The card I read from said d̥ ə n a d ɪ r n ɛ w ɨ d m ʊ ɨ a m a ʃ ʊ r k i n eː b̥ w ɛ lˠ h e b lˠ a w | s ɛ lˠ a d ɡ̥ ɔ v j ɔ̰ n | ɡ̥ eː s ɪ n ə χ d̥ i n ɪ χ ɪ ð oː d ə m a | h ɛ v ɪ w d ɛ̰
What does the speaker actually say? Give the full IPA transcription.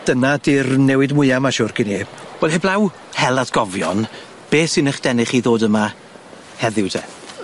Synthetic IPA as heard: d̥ ə n a d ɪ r n ɛ w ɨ d m ʊ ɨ a m a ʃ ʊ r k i n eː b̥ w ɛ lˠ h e b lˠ a w | h ɛ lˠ a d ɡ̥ ɔ v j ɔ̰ n | b̥ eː s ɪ n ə χ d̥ ɛ n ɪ χ i ð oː d ə m a | h ɛ ð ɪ w d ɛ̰